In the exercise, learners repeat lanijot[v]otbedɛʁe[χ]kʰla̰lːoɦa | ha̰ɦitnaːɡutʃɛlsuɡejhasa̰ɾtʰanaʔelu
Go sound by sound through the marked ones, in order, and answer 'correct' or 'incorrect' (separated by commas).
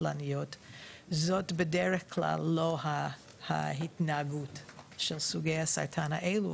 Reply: incorrect, correct